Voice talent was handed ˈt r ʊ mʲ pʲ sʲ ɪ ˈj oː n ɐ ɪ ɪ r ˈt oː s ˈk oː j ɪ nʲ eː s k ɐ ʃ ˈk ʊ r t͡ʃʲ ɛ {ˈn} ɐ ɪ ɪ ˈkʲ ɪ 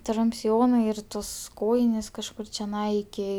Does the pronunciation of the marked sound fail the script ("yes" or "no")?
no